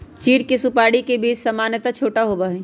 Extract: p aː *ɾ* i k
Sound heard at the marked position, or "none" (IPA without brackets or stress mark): ɽ